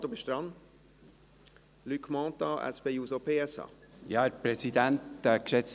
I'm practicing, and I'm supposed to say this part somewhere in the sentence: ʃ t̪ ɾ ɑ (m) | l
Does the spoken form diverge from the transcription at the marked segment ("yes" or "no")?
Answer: yes